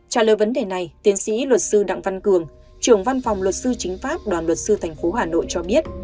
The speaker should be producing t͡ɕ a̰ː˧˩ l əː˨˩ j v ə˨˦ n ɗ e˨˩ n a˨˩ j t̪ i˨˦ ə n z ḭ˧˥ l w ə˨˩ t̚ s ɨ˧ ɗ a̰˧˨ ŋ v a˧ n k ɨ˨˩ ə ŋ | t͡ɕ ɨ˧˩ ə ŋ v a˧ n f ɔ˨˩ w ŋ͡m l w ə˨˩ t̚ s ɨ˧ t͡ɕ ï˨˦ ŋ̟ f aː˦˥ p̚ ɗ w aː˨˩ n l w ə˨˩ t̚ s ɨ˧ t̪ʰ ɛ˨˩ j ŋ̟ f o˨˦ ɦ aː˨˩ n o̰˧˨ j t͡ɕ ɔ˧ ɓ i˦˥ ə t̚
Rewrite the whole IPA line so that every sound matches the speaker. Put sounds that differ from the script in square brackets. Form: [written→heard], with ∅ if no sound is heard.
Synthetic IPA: t͡ɕ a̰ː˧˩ l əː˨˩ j v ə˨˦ n ɗ e˨˩ n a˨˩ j t̪ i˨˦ ə n [z→s] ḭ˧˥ l w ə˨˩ t̚ s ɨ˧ ɗ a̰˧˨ ŋ v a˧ n k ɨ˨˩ ə ŋ | t͡ɕ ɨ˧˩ ə ŋ v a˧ n f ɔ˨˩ w ŋ͡m l w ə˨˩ t̚ s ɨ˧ t͡ɕ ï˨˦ ŋ̟ f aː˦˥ p̚ ɗ w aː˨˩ n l w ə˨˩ t̚ s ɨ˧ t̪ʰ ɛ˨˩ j ŋ̟ f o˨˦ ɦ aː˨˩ n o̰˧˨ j t͡ɕ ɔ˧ ɓ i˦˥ ə t̚